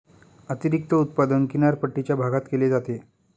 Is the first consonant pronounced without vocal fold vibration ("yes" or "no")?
yes